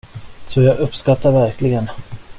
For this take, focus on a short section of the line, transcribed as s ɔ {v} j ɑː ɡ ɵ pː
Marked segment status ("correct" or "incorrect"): incorrect